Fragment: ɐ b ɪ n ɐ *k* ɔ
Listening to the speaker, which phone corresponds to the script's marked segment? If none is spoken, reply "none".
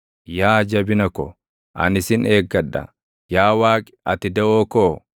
k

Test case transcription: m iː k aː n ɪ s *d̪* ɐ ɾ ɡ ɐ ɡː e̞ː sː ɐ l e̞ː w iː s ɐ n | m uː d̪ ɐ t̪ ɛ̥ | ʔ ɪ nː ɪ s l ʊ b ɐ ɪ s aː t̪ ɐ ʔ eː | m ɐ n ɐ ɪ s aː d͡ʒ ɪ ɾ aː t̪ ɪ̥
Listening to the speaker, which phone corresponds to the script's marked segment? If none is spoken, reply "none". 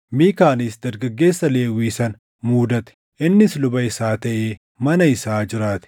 d̪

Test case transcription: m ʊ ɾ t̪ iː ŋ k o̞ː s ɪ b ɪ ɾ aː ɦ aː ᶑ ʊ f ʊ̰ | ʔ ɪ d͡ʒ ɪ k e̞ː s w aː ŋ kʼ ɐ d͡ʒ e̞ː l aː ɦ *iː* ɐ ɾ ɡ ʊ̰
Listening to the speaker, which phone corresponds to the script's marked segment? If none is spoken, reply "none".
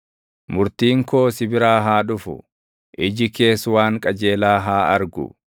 aː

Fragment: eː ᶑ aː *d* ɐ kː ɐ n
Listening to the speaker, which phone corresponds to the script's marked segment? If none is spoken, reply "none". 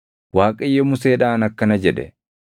n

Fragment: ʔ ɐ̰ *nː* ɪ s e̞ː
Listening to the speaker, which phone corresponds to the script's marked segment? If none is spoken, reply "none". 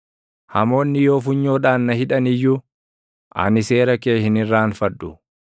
n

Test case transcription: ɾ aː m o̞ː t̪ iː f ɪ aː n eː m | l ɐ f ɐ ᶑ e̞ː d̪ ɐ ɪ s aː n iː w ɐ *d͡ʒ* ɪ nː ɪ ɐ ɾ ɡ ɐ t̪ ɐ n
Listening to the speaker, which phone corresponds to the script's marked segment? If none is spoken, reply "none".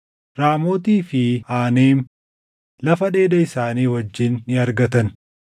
d͡ʒː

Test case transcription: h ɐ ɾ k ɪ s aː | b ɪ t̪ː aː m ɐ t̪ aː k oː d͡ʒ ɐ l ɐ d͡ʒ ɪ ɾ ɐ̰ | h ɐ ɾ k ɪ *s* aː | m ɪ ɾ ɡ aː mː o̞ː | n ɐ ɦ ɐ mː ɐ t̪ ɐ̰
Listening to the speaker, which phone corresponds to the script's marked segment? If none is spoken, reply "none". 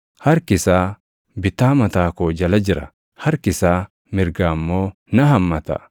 s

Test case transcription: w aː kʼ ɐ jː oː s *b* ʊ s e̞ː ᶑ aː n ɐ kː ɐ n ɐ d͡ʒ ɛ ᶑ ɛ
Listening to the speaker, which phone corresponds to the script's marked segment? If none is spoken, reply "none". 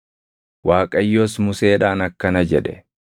m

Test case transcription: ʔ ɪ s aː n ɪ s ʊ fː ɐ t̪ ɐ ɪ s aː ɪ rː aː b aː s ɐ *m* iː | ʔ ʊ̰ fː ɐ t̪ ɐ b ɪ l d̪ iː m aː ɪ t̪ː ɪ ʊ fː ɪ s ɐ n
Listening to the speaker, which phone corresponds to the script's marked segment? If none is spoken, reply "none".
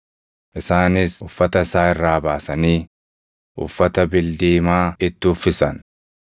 n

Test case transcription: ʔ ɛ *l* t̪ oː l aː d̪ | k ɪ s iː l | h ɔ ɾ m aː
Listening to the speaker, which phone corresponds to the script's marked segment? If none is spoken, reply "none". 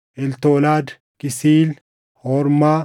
l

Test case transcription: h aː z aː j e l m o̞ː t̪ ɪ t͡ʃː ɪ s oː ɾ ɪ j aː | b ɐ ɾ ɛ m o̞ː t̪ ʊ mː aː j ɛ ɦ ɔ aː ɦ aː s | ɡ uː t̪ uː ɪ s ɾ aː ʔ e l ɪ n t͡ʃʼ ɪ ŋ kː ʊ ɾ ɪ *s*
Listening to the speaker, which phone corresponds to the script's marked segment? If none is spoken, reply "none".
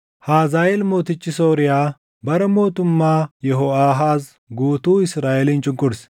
s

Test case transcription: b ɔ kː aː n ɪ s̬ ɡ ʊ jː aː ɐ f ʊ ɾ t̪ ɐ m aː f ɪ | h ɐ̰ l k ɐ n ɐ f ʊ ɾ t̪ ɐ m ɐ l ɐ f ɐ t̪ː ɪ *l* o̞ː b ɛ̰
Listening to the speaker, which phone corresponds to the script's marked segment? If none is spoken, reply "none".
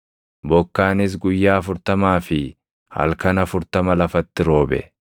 ɾ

